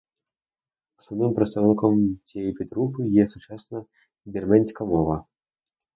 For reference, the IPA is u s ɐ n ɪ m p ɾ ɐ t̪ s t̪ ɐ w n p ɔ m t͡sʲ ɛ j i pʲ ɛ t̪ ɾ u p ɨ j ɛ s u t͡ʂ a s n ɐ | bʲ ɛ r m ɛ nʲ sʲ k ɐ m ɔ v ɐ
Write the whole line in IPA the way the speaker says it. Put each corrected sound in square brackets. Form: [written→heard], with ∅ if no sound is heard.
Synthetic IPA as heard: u s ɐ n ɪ m p ɾ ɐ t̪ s t̪ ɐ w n [p→k] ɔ m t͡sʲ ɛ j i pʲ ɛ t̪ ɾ u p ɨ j ɛ s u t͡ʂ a s n ɐ | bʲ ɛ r m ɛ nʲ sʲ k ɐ m ɔ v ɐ